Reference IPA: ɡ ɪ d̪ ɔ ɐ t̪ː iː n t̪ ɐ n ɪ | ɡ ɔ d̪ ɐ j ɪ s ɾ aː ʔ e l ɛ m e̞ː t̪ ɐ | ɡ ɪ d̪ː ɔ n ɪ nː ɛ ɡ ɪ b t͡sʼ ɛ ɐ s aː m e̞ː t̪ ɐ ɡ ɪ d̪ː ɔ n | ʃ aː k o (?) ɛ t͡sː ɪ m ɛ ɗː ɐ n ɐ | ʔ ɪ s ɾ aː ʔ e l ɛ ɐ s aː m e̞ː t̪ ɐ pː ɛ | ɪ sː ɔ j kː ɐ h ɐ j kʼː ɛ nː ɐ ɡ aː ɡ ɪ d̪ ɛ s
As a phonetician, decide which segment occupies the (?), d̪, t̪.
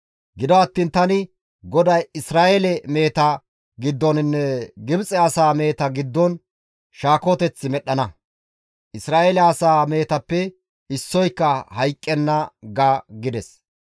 t̪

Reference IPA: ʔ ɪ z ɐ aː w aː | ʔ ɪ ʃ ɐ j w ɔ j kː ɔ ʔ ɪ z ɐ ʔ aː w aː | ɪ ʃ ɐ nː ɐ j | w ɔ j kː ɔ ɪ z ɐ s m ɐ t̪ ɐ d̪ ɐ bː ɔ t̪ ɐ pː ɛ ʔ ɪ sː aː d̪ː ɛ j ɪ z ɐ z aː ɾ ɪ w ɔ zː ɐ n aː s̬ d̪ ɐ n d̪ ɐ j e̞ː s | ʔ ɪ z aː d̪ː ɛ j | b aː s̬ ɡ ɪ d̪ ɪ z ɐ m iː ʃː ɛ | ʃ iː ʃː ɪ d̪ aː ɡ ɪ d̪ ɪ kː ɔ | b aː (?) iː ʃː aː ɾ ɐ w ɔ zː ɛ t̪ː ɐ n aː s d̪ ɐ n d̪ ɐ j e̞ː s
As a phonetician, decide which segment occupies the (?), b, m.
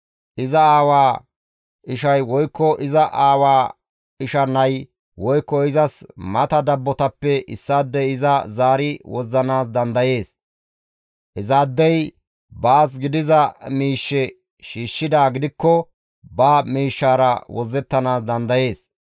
m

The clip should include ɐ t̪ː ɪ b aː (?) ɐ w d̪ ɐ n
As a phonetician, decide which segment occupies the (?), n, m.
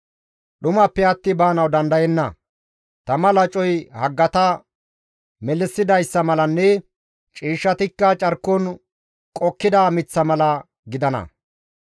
n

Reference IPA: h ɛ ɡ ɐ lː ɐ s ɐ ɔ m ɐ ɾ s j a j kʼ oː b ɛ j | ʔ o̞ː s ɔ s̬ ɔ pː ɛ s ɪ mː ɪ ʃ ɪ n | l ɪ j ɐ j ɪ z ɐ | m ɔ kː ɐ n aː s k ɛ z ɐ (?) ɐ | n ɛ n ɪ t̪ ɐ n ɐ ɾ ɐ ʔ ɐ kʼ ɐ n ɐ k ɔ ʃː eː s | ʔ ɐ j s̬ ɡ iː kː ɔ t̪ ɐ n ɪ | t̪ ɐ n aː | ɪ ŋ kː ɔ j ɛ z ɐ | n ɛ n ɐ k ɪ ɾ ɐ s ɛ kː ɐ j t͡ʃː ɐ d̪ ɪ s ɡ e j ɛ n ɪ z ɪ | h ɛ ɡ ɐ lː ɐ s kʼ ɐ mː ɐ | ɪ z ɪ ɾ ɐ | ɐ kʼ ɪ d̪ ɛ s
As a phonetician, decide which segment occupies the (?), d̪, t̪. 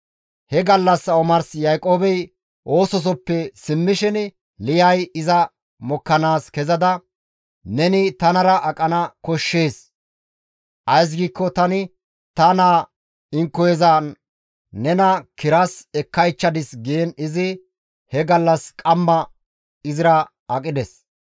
d̪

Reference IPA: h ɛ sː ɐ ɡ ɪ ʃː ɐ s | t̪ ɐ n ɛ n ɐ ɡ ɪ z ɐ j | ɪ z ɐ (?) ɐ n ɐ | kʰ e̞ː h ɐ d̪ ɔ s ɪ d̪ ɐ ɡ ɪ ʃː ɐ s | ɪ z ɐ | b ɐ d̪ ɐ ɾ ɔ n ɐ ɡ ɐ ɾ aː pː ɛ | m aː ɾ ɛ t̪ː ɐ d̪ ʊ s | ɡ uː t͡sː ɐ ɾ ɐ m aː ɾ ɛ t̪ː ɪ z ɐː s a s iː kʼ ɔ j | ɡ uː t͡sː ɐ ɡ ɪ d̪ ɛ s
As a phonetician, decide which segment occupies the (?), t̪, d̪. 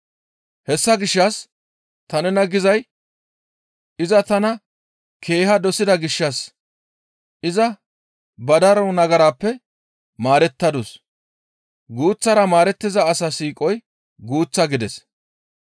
t̪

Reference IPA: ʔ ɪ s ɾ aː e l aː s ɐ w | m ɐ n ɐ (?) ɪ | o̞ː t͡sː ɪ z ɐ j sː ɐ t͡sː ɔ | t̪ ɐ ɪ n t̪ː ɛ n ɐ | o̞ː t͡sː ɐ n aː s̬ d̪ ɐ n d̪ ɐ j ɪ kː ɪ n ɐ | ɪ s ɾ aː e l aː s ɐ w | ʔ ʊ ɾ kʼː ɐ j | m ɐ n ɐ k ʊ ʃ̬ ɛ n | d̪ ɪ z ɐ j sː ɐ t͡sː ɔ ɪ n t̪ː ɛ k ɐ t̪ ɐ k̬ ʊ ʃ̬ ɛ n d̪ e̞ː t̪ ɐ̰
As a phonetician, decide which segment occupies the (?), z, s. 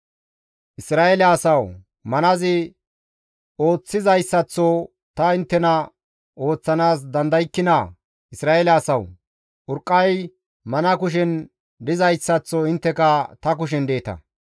z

